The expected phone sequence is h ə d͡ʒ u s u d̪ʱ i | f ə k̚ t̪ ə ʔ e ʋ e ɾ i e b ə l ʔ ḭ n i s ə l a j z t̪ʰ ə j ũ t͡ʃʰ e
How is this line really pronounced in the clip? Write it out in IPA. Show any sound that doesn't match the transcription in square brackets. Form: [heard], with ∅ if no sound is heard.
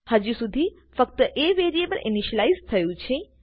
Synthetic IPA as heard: h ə d͡ʒ u s u d̪ʱ i | f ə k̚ t̪ ə ʔ e ʋ e ɾ i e b ə l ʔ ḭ n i [ʃ] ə l a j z t̪ʰ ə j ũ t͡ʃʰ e